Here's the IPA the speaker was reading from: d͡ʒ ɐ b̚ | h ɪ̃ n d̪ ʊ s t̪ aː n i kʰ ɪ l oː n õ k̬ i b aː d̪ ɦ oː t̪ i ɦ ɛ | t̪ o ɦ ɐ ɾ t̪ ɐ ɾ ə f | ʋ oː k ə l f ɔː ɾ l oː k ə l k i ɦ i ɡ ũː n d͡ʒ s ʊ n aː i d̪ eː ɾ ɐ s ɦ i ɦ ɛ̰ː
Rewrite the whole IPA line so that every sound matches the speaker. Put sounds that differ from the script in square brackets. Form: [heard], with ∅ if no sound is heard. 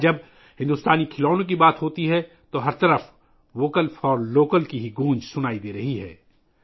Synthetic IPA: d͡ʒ ɐ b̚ | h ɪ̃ n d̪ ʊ s t̪ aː n i kʰ ɪ l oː n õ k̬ i b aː [t̪] ɦ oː t̪ i ɦ ɛ | t̪ o ɦ ɐ ɾ t̪ ɐ ɾ ə f | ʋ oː k ə l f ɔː ɾ l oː k ə l k i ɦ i ɡ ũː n d͡ʒ s ʊ n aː i d̪ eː ɾ ɐ [∅] ɦ i ɦ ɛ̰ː